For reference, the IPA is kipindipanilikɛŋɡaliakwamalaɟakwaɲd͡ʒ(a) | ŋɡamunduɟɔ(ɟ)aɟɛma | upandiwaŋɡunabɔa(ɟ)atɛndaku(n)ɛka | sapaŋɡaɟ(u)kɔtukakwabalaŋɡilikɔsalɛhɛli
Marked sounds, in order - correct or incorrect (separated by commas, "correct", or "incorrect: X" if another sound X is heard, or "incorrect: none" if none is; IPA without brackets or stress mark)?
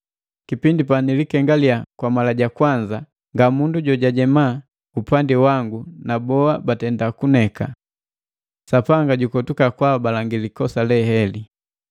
correct, correct, incorrect: b, correct, correct